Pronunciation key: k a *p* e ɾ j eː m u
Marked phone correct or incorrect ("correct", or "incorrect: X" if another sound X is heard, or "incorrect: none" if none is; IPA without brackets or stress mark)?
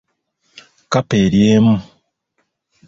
correct